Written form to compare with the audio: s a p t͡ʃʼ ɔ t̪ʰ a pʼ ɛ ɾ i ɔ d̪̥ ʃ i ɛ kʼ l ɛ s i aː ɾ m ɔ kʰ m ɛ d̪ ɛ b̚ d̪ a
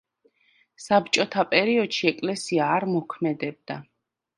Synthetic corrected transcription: s a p t͡ʃʼ ɔ t̪ʰ a pʼ ɛ ɾ i ɔ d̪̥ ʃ i ɛ kʼ l ɛ s i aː ɾ m ɔ kʰ m ɛ d̪ ɛ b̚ d̪ a